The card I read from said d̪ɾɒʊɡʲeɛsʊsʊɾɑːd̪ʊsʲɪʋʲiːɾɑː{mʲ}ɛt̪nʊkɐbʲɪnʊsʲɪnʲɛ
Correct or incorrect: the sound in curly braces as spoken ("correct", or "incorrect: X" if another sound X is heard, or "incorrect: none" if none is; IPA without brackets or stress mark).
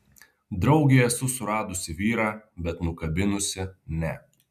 incorrect: bʲ